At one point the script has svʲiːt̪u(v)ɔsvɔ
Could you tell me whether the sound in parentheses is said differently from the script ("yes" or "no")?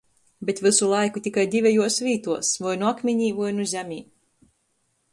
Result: yes